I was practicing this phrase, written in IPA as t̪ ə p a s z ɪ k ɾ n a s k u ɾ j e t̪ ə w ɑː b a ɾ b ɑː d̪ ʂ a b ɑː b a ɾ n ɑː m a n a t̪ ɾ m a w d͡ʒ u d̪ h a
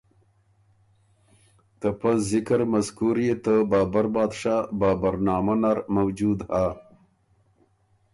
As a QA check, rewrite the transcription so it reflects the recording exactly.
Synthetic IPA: t̪ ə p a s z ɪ k ɾ m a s k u ɾ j e t̪ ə b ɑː b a ɾ b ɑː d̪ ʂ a b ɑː b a ɾ n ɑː m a n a ɾ m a w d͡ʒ u d̪ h a

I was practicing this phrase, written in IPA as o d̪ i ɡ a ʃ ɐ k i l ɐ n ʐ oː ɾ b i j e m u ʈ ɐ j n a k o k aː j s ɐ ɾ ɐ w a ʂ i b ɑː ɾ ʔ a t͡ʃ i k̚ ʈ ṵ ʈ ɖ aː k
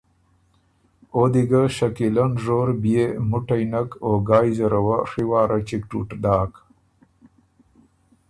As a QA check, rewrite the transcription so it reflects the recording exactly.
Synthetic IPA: o d̪ i ɡ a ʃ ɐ k i l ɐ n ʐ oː ɾ b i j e m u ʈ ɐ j n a k o ɡ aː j z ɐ ɾ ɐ w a ʂ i w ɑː ɾ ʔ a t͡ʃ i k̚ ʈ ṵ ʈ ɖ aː k

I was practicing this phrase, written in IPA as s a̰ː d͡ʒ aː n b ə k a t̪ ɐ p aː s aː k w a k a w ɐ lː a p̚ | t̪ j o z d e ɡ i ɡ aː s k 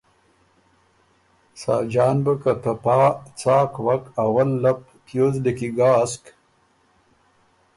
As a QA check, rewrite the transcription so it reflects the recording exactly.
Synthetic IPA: s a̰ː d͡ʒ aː n b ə k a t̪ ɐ p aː t͡s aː k w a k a w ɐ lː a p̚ | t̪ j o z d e k i ɡ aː s k

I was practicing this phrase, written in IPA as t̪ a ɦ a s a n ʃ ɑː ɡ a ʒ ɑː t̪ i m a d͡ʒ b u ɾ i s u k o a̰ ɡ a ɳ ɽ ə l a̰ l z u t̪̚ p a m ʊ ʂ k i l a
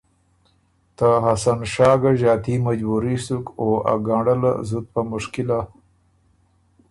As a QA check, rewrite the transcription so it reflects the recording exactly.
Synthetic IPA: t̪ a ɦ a s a n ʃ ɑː ɡ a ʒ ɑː t̪ i m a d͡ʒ b u ɾ i s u k o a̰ ɡ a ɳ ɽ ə l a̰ z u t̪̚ p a m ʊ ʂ k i l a

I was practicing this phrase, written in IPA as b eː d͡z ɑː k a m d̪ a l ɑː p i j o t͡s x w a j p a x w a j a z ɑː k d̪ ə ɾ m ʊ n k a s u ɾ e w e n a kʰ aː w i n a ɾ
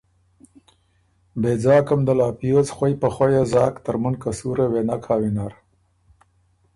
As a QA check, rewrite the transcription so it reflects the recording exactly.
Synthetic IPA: b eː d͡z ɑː k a m d̪ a l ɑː p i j o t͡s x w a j p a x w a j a z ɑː k t̪ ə ɾ m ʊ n k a s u ɾ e w e n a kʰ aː w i n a ɾ

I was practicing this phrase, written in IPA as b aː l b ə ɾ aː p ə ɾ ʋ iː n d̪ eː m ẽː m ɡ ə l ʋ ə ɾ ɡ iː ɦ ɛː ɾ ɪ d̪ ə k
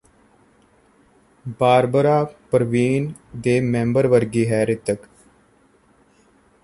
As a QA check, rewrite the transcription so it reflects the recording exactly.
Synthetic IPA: b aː ɾ b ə ɾ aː p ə ɾ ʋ iː n d̪ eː m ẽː m b ə ɾ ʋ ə ɾ ɡ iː ɦ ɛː ɾ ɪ t̪ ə k

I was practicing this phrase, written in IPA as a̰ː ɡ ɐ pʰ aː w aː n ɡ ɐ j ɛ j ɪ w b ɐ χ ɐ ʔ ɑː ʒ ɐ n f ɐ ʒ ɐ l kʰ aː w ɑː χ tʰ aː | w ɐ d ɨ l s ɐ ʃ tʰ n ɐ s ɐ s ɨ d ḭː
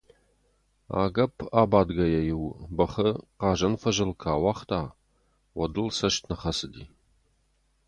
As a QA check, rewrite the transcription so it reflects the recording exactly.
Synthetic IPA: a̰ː ɡ ɐ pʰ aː b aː d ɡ ɐ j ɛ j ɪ w b ɐ χ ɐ q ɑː ʒ ɐ n f ɐ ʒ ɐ l kʰ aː w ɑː χ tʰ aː | w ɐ d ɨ l s ɐ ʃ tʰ n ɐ χ ɐ s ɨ d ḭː

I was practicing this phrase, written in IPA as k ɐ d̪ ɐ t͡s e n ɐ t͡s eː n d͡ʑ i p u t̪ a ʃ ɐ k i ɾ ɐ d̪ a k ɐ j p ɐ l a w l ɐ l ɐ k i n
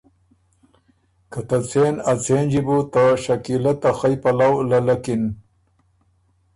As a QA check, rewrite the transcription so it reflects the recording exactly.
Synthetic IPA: k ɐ t̪ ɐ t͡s e n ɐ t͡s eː n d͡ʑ i b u t̪ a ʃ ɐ k i l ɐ t̪ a x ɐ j p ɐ l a w l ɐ l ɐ k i n

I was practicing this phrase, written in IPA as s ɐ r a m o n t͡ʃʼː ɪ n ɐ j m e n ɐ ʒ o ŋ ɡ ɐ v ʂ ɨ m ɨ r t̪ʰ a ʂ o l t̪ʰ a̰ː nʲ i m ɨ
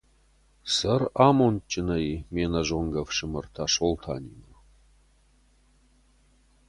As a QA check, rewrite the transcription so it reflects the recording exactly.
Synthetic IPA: s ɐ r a m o n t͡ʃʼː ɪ n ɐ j m e n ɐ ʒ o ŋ ɡ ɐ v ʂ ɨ m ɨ r t̪ʰ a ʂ o l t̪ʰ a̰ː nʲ i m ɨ

